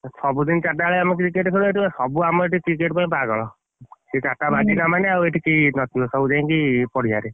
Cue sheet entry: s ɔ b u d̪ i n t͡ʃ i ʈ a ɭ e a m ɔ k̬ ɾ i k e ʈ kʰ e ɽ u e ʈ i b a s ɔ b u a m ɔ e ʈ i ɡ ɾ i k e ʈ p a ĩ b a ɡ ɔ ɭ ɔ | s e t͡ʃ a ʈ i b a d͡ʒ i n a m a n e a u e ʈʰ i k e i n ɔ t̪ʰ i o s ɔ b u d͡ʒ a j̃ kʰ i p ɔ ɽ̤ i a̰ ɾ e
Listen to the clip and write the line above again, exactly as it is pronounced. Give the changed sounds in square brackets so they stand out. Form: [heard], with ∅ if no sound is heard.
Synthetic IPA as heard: s ɔ b u d̪ i n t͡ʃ [a] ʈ a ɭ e a m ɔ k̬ ɾ i k e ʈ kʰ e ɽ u e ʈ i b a s ɔ b u a m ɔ e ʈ i [k] ɾ i k e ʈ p a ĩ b a ɡ ɔ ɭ ɔ | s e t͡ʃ a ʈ [a] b a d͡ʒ i n a m a n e a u e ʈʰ i k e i n ɔ t̪ʰ i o s ɔ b u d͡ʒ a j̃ [k] i p ɔ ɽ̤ i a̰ ɾ e